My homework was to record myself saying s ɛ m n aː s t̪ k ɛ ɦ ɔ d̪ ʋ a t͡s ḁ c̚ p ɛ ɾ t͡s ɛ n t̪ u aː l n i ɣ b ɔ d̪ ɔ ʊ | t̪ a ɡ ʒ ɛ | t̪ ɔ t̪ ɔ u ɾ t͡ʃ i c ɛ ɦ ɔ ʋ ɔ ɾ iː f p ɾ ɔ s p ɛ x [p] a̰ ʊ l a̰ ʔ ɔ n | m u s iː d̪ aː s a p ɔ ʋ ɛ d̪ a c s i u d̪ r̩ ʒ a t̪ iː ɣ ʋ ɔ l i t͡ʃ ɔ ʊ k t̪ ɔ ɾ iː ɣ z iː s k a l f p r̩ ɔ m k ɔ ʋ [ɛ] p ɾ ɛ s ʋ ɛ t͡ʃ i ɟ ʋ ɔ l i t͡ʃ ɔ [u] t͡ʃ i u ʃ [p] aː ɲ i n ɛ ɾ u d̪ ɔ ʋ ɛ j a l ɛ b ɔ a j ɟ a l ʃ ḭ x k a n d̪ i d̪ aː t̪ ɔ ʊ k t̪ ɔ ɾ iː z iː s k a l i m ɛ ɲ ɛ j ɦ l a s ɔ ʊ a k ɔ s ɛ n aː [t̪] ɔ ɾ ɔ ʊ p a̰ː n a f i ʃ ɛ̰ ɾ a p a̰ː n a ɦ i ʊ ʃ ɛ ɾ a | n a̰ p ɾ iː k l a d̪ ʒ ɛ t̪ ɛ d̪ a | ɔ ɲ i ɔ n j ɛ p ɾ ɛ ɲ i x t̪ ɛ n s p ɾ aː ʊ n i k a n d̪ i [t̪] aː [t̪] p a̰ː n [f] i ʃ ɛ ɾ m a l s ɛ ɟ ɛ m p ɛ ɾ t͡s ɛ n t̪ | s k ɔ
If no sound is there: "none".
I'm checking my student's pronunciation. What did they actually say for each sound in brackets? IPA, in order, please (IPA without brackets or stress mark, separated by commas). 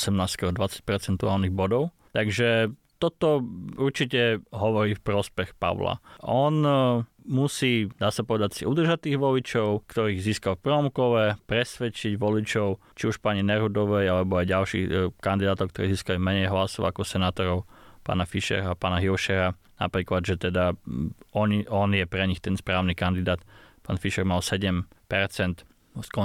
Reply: p, ɛ, ʊ, p, t̪, d̪, t̪, f